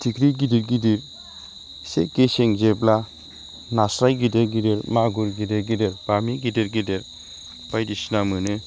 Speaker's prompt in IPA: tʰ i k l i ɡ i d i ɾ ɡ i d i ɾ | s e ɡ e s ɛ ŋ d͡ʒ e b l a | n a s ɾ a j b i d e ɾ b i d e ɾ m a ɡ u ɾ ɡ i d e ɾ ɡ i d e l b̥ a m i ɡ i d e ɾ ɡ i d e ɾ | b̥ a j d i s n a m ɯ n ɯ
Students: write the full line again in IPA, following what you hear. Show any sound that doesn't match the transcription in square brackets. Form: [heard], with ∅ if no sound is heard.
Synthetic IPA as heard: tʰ i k [ɾ] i ɡ i d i ɾ ɡ i d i ɾ | s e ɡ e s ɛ ŋ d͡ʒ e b l a | n a s ɾ a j [ɡ] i d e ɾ [ɡ] i d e ɾ m a ɡ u ɾ ɡ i d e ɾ ɡ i d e [ɾ] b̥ a m i ɡ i d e ɾ ɡ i d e ɾ | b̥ a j d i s n a m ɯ n ɯ